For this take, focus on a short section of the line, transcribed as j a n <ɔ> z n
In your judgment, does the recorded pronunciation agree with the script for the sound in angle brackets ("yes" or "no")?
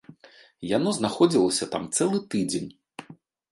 yes